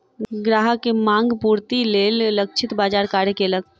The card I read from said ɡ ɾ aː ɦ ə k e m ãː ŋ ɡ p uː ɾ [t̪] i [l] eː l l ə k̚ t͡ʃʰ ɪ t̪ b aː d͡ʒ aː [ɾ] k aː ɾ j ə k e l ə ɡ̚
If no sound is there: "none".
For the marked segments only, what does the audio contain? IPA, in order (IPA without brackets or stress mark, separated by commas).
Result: t̪, l, ɾ